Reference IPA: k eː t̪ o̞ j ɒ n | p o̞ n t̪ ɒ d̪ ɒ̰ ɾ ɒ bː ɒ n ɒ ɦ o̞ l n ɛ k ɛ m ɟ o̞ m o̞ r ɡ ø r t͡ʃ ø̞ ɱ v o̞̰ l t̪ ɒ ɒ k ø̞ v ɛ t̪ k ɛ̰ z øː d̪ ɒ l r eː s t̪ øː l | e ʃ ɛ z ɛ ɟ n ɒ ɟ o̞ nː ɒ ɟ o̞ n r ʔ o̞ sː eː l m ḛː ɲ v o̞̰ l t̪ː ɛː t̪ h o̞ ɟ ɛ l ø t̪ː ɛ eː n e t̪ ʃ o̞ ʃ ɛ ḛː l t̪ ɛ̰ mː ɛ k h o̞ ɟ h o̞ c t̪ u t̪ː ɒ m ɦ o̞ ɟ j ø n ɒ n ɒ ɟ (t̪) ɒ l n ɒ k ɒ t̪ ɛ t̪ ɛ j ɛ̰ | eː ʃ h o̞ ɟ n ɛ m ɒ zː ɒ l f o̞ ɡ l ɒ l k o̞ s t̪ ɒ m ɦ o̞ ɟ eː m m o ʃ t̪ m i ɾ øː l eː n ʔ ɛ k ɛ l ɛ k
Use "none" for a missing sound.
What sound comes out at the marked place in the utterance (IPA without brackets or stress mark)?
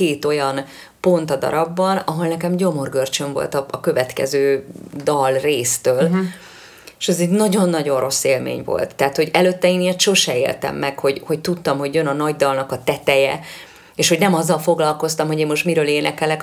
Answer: d̪